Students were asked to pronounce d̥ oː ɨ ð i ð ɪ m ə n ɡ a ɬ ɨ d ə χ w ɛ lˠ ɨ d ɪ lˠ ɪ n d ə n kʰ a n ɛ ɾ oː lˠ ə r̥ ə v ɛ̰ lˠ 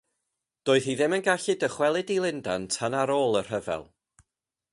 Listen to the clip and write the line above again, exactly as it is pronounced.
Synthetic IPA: d̥ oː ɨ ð i ð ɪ m ə n ɡ a ɬ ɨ d ə χ w ɛ lˠ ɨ d i lˠ ɪ n d a n tʰ a n a ɾ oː lˠ ə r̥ ə v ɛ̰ lˠ